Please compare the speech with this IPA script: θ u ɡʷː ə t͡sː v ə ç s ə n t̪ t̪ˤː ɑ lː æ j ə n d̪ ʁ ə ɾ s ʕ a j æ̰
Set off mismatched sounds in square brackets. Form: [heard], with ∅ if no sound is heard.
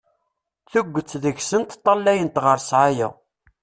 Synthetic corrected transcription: θ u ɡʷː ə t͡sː [ð] ə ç s ə n t̪ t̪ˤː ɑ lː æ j ə n [t̪] ʁ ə ɾ s ʕ a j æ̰

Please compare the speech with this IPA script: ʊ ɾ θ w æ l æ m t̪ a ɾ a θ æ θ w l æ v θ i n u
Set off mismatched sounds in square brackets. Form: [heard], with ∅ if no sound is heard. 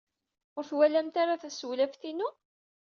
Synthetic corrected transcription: ʊ ɾ θ w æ l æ m t̪ a ɾ a θ æ [s] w l æ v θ i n u

